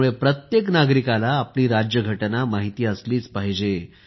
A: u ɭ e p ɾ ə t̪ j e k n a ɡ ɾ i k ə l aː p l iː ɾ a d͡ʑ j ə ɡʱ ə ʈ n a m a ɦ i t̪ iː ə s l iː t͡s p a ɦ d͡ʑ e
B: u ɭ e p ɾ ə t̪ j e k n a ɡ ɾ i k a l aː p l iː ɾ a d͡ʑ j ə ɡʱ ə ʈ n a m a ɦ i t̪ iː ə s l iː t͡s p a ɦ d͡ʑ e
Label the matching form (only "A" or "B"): B